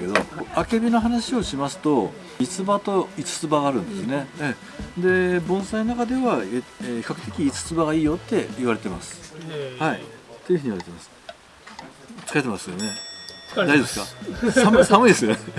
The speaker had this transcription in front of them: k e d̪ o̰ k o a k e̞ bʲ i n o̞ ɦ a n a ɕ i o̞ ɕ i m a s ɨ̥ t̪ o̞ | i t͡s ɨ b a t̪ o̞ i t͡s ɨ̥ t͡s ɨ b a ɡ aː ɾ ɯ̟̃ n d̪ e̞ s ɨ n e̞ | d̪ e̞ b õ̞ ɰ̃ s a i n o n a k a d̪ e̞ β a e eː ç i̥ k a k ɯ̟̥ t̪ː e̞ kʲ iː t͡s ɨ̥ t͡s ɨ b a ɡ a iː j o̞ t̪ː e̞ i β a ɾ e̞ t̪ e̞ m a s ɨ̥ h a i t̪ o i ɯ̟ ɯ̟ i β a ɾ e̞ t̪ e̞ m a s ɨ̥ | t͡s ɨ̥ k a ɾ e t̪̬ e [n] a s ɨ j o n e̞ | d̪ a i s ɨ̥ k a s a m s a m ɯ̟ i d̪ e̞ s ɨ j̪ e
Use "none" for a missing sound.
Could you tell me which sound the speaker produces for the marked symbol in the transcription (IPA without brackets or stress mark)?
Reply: m